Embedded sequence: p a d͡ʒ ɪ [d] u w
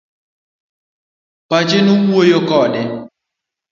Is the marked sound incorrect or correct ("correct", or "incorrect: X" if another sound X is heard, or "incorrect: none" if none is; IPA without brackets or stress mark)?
incorrect: n